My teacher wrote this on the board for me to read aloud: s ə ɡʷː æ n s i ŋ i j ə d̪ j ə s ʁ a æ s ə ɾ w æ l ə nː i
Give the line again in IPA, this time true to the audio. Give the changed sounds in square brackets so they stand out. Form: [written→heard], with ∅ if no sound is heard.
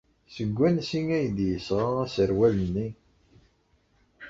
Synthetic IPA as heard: s ə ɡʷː æ n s i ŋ [i→æ] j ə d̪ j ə s ʁ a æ s ə ɾ w æ l ə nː i